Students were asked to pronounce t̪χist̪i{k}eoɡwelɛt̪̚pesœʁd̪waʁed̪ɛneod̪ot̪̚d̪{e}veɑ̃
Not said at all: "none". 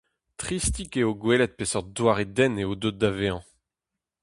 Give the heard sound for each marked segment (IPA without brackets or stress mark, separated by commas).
k, a